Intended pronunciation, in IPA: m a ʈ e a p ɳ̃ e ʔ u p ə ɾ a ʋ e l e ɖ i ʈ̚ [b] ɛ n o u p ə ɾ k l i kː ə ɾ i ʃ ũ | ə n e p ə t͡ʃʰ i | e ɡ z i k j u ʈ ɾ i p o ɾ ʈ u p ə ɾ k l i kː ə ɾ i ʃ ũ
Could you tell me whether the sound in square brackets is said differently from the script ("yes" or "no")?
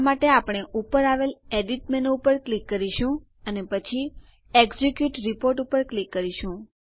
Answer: yes